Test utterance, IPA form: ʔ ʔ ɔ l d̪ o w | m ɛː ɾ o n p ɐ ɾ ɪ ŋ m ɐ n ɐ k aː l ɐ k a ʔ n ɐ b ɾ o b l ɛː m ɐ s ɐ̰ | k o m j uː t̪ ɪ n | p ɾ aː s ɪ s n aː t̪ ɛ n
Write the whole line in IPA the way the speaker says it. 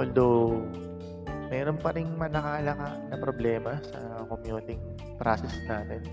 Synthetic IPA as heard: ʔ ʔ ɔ l d̪ o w | m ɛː ɾ o n p ɐ ɾ ɪ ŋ m ɐ n ɐ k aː l ɐ k a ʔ n ɐ p ɾ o b l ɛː m ɐ s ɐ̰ | k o m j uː t̪ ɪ ŋ | p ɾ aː s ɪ s n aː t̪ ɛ n